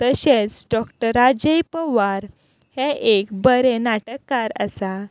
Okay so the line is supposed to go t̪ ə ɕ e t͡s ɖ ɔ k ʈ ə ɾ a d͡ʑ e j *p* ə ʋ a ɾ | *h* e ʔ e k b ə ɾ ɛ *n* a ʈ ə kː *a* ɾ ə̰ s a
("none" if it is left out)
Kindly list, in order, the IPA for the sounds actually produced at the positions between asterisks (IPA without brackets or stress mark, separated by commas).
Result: p, h, n, a